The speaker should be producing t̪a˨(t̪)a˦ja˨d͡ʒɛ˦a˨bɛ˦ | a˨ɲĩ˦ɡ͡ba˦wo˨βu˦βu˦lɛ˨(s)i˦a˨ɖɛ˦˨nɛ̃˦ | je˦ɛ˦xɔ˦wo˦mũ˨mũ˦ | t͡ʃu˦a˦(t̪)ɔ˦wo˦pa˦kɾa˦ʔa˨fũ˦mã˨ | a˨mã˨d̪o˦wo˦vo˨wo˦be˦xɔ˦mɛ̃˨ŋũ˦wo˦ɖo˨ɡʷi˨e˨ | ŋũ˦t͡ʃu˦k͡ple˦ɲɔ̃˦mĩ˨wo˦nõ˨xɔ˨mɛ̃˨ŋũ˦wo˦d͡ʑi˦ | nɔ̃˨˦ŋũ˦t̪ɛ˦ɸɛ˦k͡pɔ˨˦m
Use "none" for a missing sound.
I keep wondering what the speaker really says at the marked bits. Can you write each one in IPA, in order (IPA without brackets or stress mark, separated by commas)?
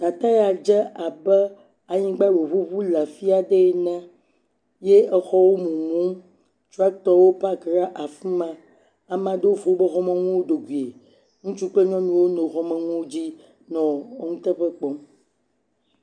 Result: t̪, f, t̪